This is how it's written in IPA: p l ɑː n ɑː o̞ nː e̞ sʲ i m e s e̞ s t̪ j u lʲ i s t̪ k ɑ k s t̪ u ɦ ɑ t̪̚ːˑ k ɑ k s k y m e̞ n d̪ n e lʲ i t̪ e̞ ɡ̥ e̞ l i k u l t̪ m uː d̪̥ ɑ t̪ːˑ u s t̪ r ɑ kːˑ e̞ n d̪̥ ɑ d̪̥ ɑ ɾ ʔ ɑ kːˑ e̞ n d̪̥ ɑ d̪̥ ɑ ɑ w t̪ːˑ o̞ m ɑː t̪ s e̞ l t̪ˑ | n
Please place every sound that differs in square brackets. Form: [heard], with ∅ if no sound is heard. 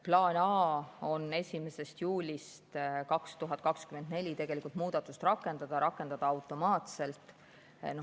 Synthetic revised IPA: p l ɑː n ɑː o̞ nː e̞ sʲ i m e s e̞ s t̪ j [uː] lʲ i s t̪ k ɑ k s t̪ u ɦ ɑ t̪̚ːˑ k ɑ k s k y m e̞ n d̪ n e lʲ i t̪ e̞ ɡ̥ e̞ l i k u l t̪ m uː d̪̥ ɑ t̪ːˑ u s t̪ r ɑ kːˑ e̞ n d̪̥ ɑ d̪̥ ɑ ɾ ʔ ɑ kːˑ e̞ n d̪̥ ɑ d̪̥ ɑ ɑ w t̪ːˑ o̞ m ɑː t̪ s e̞ l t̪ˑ | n

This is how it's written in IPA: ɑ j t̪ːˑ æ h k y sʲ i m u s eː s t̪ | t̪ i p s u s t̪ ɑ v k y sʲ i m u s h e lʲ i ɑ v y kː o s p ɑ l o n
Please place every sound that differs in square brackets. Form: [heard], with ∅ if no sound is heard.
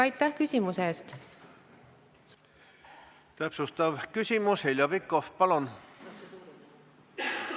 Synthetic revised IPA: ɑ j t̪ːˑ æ h k y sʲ i m u s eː s t̪ | t̪ [æ] p s u s t̪ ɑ v k y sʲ i m u s h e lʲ [j] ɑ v [i] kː o [f] p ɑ l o n

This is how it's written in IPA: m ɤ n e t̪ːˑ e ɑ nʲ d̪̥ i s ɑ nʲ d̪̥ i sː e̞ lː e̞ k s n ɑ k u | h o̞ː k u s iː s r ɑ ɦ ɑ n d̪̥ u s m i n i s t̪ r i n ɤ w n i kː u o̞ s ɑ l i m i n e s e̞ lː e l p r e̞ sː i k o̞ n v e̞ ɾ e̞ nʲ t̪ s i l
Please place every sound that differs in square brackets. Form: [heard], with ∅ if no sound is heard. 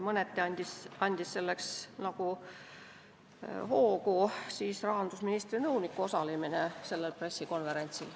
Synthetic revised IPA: m ɤ n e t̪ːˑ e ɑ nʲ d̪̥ i s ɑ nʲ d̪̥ i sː e̞ lː e̞ k s n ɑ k u | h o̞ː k u s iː s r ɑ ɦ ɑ n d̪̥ u s m i n i s t̪ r i n ɤ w n i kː u o̞ s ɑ l i m i n e s e̞ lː e l p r e̞ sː i k o̞ n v e̞ ɾ e̞ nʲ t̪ s i l

